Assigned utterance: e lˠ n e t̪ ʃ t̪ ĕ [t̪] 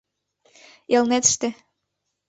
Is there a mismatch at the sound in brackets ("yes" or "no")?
yes